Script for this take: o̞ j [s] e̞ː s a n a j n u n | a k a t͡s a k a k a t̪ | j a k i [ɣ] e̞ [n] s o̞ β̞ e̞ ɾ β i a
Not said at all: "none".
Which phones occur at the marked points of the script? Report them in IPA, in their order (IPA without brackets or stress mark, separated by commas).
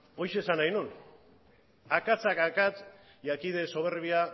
ʃ, ð, none